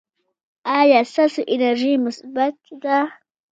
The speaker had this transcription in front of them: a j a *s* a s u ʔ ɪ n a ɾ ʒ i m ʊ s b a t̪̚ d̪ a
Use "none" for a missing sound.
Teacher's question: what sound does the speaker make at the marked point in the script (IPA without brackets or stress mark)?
s